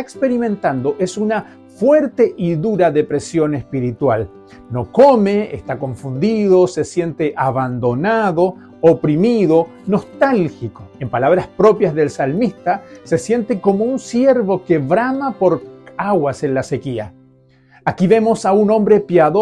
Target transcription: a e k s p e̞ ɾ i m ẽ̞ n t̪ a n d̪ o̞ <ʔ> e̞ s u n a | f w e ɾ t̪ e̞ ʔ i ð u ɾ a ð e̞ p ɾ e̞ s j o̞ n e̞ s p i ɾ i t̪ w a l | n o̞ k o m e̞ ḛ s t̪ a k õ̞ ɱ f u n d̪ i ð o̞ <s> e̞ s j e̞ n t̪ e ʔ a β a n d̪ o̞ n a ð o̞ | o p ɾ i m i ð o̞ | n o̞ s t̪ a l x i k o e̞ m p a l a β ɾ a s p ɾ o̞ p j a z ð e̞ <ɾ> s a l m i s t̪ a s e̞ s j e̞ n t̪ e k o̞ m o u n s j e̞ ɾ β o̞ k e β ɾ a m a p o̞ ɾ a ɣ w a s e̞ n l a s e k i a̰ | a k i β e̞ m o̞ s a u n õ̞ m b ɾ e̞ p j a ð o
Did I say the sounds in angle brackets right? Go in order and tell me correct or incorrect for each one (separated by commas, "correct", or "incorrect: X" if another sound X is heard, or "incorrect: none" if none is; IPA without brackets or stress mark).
correct, correct, incorrect: l